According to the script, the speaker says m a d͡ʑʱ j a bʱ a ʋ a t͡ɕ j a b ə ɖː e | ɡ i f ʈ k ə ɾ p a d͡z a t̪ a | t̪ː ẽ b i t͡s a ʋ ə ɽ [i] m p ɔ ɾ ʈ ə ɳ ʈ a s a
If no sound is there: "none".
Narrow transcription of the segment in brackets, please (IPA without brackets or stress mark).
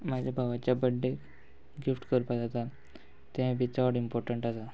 i